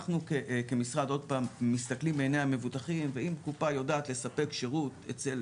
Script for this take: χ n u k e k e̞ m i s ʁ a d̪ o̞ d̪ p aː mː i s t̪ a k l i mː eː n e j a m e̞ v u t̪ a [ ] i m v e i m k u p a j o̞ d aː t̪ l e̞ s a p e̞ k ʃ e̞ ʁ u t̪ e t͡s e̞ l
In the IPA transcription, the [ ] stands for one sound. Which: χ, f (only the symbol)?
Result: χ